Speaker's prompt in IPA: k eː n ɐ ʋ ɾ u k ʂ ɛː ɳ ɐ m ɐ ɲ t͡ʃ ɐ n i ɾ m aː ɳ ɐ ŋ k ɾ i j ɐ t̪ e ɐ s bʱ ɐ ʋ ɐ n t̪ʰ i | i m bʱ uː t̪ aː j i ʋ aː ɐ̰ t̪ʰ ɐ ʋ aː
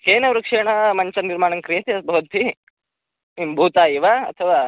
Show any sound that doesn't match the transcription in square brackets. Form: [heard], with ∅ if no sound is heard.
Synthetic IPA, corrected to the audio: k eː n ɐ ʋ ɾ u k ʂ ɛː ɳ ɐ m ɐ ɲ t͡ʃ ɐ n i ɾ m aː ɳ ɐ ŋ k ɾ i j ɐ t̪ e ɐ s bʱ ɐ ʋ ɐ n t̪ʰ i | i m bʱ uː t̪ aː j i ʋ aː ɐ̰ t̪ʰ ɐ ʋ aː

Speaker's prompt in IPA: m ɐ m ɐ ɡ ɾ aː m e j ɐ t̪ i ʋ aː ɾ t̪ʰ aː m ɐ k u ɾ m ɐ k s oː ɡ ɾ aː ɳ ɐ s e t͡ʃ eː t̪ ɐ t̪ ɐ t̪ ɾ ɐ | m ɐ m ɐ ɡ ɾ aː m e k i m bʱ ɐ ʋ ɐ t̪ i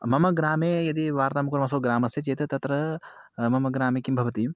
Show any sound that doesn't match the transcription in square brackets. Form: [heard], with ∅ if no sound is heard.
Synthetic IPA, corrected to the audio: m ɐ m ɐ ɡ ɾ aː m e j ɐ [d̪] i ʋ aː ɾ [t̪] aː m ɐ k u ɾ m ɐ [∅] s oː ɡ ɾ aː [m] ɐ s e t͡ʃ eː t̪ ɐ t̪ ɐ t̪ ɾ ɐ | m ɐ m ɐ ɡ ɾ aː m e k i m bʱ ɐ ʋ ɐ t̪ i

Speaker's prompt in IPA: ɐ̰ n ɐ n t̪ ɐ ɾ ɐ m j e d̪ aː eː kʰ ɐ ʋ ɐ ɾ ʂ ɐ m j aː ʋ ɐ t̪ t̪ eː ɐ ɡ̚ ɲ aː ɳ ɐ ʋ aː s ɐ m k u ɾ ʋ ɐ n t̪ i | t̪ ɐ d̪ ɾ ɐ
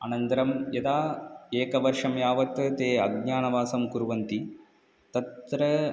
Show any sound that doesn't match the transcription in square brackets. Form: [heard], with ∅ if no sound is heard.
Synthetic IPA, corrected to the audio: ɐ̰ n ɐ n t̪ ɐ ɾ ɐ m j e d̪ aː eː [k] ɐ ʋ ɐ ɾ ʂ ɐ m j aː ʋ ɐ t̪ t̪ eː ɐ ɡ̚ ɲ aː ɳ ɐ ʋ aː s ɐ m k u ɾ ʋ ɐ n t̪ i | t̪ ɐ [t̪] ɾ ɐ

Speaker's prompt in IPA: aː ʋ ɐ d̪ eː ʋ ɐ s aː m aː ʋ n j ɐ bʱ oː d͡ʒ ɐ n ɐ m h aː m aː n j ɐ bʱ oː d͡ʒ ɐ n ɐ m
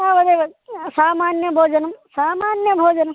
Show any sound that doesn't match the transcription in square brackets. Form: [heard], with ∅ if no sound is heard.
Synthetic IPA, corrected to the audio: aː ʋ ɐ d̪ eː ʋ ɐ s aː m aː [∅] n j ɐ bʱ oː d͡ʒ ɐ n ɐ m [s] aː m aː n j ɐ bʱ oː d͡ʒ ɐ n ɐ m

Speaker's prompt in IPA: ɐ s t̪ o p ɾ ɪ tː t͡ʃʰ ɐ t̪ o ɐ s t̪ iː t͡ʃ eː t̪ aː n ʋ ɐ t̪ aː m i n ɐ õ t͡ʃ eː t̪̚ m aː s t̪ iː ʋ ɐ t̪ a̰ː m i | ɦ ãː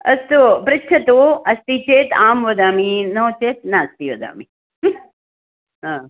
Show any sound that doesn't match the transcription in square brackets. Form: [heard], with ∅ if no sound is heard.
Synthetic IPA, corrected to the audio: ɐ s t̪ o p ɾ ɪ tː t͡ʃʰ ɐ t̪ o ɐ s t̪ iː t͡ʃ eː t̪ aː [m] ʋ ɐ [d̪] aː m i n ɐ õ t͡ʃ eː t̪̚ [n] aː s t̪ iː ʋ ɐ [d̪] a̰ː m i | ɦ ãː

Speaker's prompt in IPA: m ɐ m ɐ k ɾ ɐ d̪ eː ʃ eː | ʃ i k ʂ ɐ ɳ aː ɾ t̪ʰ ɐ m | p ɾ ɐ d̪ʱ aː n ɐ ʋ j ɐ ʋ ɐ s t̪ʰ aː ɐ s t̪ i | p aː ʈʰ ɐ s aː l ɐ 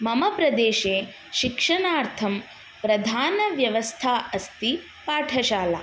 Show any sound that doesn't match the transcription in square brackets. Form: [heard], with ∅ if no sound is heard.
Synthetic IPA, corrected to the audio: m ɐ m ɐ [p] ɾ ɐ d̪ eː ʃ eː | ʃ i k ʂ ɐ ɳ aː ɾ t̪ʰ ɐ m | p ɾ ɐ d̪ʱ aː n ɐ ʋ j ɐ ʋ ɐ s t̪ʰ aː ɐ s t̪ i | p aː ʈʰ ɐ [ʃ] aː l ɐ

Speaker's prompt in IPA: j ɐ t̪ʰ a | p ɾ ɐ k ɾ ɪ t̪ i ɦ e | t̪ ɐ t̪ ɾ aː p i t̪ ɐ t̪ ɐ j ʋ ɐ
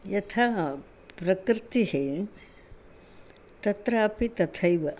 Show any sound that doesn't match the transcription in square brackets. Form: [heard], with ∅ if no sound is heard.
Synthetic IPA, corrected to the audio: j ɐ t̪ʰ a | p ɾ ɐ k ɾ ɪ t̪ i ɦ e | t̪ ɐ t̪ ɾ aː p i t̪ ɐ [t̪ʰ] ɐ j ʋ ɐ

